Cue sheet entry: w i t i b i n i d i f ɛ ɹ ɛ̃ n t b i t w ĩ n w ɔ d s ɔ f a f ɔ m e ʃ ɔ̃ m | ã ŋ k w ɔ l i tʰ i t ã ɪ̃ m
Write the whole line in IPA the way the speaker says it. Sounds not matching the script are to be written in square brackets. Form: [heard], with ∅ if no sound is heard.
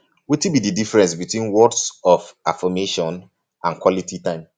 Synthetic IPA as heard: w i t i b i [d] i d i f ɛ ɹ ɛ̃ n [s] b i t w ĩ n w ɔ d s ɔ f a f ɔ m e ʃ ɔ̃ [n] | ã [n] k w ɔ l i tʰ i t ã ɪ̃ m